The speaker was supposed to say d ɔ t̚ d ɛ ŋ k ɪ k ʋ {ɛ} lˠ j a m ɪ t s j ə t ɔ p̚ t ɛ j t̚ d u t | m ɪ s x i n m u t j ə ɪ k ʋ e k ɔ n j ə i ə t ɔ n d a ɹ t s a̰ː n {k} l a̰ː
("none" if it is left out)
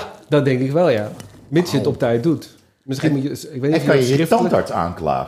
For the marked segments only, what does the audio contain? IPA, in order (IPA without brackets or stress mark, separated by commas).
ɛ, k